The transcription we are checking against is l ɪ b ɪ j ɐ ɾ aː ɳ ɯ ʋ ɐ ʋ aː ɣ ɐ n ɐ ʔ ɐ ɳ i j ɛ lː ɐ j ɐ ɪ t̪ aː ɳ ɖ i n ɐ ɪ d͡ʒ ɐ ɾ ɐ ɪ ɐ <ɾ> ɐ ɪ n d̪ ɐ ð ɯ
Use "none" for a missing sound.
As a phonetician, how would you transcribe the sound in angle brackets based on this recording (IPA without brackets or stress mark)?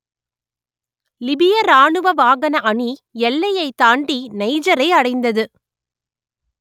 ɽ